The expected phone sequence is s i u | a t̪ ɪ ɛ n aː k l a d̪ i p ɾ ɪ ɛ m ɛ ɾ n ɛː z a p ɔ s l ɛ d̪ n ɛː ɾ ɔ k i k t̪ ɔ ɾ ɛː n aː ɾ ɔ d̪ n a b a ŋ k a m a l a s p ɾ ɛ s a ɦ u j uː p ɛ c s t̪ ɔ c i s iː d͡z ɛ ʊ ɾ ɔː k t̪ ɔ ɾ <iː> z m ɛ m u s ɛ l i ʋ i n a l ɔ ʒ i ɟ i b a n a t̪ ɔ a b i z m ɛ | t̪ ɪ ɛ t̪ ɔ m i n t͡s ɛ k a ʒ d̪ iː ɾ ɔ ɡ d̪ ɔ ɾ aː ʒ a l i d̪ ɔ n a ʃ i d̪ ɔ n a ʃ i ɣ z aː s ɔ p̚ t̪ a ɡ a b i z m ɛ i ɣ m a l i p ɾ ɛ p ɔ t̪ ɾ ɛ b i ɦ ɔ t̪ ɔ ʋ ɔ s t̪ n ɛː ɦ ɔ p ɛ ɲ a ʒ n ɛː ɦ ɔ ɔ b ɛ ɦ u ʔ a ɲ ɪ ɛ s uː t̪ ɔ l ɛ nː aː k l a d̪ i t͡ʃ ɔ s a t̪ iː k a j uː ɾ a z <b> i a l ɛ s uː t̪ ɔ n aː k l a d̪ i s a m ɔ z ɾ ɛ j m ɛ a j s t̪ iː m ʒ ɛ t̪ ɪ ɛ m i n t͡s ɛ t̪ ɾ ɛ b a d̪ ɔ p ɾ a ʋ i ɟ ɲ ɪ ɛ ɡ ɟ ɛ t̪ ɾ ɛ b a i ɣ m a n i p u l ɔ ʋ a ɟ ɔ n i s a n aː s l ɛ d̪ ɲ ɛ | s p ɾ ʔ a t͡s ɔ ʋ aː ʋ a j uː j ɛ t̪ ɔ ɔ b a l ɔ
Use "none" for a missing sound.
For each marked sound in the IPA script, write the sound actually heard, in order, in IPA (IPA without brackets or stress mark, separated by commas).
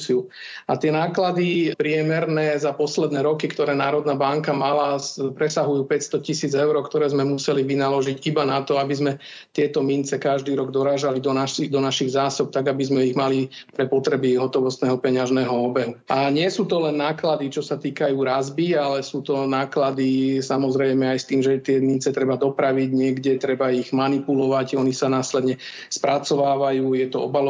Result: ɛː, b